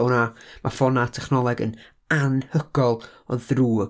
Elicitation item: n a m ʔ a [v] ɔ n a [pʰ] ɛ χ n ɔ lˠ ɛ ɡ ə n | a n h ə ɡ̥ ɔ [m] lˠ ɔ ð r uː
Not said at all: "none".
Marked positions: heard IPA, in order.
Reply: f, tʰ, none

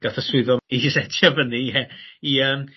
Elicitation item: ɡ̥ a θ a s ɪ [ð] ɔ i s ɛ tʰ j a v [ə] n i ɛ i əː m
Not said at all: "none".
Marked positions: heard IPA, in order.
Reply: ð, ə

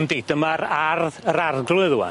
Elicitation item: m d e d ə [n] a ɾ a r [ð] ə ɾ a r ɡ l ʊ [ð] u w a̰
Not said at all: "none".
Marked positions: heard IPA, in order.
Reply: m, ð, ð

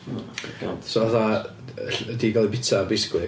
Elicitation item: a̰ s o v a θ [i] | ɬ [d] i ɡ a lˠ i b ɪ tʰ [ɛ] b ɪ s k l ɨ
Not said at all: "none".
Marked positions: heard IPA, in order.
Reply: a, d, a

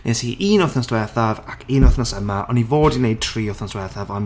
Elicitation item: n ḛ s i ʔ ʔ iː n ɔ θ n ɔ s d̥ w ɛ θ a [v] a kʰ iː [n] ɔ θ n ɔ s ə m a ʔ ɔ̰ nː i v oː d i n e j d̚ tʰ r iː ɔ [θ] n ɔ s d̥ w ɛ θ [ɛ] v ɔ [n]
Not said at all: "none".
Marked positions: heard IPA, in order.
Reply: v, n, θ, a, n

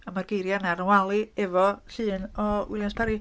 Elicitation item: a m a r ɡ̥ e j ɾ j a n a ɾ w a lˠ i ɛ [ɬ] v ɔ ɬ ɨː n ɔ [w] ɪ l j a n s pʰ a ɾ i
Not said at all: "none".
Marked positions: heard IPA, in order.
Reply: none, w

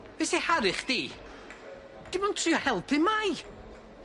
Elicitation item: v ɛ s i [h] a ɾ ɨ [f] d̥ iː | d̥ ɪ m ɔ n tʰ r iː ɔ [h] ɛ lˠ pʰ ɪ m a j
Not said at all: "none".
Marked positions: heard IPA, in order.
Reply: h, χ, h

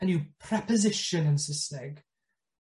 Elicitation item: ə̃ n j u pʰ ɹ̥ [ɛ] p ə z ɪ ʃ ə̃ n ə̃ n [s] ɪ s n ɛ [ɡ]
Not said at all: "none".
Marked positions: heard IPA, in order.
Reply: ɛ, s, ɡ

